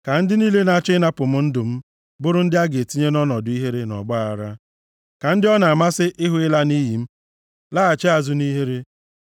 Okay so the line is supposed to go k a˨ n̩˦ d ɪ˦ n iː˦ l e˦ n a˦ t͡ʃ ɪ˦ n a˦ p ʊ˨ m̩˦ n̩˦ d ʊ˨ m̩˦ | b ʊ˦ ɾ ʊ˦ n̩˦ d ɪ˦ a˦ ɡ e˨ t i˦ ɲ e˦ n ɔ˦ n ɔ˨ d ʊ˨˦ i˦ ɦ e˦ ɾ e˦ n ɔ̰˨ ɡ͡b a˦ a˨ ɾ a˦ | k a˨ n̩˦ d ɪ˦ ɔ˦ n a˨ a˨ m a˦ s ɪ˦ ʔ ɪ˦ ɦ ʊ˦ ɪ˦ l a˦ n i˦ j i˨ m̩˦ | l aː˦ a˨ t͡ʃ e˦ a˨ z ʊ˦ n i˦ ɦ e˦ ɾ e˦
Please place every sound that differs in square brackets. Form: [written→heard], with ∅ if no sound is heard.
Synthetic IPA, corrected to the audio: k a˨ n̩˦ d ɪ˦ n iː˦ l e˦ n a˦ t͡ʃ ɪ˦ n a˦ p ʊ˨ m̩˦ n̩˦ d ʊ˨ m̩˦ | b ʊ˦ ɾ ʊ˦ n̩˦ d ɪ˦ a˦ ɡ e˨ t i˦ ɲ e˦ n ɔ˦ n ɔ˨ d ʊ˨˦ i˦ ɦ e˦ ɾ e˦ n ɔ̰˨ ɡ͡b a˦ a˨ ɾ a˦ | k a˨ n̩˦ d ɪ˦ ɔ˦ n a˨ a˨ m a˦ s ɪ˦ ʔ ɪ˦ ɦ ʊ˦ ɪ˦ l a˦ n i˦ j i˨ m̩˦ | l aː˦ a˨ t͡ʃ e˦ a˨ z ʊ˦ n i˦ ɦ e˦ ɾ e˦